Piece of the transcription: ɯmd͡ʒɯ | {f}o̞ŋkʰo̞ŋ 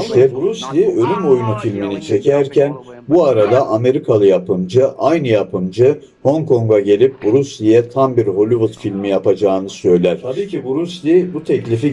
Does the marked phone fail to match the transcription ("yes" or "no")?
yes